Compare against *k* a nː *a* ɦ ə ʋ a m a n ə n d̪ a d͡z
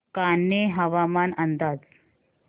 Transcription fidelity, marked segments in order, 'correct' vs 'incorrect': correct, incorrect: e

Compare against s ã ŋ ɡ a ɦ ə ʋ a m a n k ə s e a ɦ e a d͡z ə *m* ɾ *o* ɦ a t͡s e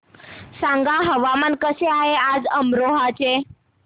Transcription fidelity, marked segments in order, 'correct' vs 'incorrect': correct, correct

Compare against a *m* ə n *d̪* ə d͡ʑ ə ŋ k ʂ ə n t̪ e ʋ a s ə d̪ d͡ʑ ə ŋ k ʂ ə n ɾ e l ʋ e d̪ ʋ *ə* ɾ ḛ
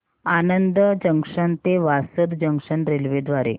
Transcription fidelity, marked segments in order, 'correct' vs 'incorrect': incorrect: n, correct, incorrect: a

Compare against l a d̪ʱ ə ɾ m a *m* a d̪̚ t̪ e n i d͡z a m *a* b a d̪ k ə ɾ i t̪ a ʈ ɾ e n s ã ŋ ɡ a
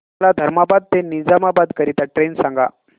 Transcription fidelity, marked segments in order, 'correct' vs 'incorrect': incorrect: b, correct

